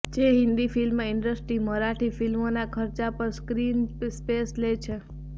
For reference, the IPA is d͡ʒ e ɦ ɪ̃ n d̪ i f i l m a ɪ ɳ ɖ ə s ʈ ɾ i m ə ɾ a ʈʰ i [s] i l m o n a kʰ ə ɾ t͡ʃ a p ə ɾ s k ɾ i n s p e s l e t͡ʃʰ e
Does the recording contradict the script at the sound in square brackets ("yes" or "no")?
yes